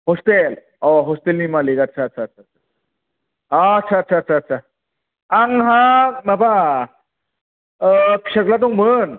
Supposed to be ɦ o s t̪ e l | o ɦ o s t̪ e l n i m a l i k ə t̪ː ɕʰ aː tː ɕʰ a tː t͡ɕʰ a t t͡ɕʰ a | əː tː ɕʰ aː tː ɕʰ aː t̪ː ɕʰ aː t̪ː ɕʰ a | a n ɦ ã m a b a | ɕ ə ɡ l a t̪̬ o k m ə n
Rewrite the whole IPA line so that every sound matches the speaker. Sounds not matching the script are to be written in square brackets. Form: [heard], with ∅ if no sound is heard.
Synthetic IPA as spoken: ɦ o s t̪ e l | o ɦ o s t̪ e l n i m a l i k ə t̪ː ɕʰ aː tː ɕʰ a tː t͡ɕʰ a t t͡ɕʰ a | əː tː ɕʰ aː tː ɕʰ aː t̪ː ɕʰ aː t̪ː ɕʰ a | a [ŋ] ɦ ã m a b a | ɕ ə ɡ l a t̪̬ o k m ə n